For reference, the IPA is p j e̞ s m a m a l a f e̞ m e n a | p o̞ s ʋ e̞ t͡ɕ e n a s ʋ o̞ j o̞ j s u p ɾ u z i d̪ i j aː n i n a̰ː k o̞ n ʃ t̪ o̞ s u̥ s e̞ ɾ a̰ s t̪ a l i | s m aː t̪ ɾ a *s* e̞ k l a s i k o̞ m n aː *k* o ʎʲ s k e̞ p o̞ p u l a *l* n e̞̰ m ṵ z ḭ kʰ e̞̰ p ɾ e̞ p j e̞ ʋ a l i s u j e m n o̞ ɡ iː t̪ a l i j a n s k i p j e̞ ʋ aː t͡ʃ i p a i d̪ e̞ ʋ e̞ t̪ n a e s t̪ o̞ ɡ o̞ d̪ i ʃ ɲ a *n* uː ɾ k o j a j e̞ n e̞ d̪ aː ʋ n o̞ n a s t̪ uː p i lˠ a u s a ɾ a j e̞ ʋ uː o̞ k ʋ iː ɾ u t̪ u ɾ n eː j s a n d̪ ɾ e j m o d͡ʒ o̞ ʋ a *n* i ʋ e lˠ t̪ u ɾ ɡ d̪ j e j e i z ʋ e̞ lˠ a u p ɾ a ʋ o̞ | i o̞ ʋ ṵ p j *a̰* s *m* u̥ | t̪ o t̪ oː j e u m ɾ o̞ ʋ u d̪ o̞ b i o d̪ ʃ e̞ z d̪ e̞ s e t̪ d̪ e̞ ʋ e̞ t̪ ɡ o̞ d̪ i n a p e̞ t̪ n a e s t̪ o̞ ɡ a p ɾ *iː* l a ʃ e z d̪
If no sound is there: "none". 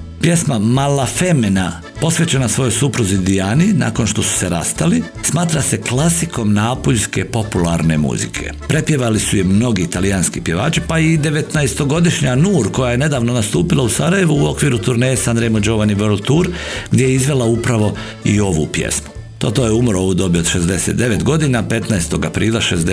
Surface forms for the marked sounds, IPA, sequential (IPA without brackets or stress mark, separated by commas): s, p, ɾ, n, n, ḛ, m, iː